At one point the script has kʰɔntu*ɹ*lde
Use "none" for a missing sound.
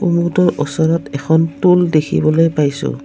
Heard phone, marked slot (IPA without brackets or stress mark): none